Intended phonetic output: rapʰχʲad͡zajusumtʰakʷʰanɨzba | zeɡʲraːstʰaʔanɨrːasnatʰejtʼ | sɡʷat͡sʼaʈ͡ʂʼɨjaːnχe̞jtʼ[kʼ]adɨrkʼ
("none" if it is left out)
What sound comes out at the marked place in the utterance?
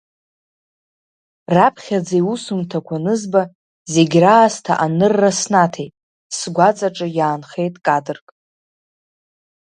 kʼ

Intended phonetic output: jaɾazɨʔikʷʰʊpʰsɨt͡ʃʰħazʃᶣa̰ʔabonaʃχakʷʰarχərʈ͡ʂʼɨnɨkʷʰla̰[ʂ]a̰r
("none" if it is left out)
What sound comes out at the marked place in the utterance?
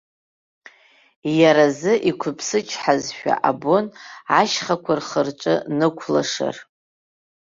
ʂ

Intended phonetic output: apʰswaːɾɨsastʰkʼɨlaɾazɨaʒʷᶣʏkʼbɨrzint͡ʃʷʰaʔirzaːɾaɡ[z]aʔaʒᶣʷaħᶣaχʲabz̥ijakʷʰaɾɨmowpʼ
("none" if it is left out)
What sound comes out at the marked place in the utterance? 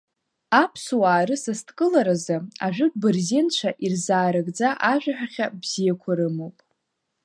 d͡z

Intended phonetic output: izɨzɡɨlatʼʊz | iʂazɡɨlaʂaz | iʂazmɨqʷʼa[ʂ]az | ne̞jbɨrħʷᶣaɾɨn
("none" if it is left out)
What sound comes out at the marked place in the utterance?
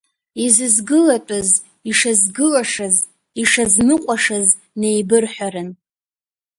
ʂ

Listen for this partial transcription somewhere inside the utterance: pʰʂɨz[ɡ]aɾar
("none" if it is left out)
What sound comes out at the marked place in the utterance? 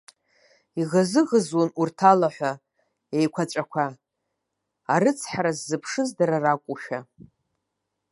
d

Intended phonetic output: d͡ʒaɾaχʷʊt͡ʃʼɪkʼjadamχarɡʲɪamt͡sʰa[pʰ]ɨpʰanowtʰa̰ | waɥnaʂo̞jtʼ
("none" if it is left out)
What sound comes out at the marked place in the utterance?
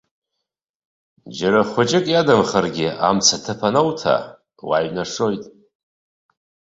tʰ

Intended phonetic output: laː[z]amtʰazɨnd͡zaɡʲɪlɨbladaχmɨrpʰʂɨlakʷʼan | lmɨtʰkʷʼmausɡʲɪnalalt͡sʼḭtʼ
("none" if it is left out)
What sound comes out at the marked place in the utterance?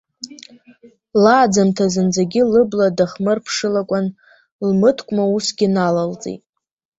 d͡z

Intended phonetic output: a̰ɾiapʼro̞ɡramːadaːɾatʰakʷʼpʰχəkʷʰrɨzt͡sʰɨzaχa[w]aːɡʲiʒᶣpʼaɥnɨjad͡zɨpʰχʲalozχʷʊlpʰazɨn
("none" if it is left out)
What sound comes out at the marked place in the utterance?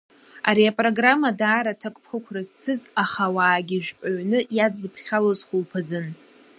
w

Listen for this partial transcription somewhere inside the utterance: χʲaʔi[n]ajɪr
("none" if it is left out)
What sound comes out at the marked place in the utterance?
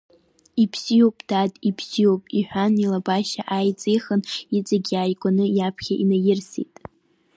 n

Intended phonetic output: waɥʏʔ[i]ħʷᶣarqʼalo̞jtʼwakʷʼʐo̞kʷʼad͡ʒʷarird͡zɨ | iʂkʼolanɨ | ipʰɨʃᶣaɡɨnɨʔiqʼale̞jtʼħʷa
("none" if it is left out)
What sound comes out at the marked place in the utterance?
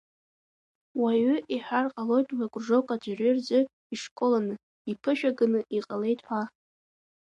i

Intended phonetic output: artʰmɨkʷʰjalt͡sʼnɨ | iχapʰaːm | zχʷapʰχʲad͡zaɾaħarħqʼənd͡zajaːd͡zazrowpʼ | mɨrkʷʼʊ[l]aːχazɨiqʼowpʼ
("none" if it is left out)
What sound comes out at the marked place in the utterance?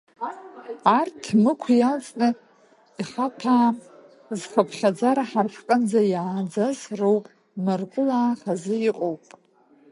l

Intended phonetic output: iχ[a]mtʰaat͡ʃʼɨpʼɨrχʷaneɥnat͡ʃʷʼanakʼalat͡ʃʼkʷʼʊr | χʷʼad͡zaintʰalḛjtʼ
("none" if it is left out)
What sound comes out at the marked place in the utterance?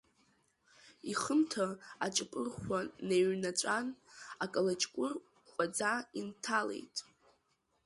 ə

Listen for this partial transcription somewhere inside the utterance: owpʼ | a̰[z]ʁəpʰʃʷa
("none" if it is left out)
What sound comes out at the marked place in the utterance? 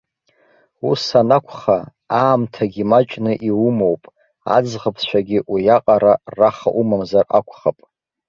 d͡z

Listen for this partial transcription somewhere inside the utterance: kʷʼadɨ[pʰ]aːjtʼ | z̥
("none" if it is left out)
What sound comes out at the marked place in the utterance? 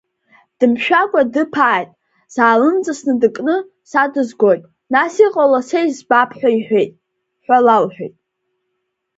pʰ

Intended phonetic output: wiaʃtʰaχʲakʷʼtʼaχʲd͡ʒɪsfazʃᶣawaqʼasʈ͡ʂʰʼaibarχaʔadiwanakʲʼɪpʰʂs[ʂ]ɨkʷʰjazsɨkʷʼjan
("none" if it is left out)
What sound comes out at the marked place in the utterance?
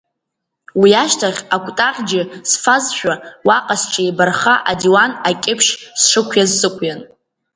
ʂ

